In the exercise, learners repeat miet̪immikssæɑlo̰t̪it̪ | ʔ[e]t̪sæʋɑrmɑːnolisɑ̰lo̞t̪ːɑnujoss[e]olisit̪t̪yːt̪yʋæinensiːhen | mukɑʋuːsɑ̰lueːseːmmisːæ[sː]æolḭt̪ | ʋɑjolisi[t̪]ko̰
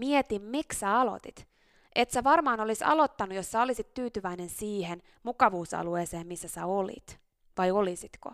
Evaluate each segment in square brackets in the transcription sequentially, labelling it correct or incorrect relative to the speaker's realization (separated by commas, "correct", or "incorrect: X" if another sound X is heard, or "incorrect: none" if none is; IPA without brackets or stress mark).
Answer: correct, incorrect: æ, incorrect: s, correct